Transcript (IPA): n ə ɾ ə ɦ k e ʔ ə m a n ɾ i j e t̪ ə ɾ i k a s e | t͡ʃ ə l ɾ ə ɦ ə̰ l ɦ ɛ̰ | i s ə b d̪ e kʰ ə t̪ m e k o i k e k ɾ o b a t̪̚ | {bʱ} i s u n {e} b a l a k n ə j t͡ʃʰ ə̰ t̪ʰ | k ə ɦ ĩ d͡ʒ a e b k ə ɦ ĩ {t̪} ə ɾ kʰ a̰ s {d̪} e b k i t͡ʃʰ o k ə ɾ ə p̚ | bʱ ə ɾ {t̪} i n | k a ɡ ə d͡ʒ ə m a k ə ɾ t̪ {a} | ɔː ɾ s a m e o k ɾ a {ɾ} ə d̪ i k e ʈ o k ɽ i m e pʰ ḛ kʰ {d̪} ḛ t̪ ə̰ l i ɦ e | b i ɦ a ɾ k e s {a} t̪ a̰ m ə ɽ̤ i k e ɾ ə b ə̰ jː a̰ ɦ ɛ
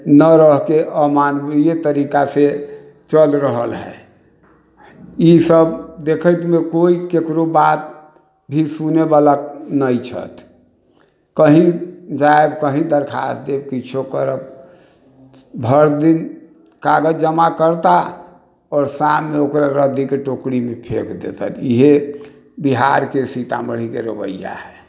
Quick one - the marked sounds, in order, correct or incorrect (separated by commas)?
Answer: correct, correct, incorrect, correct, incorrect, correct, correct, correct, incorrect